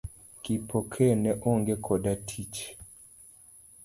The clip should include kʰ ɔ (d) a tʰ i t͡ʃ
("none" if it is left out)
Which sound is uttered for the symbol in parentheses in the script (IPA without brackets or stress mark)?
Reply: d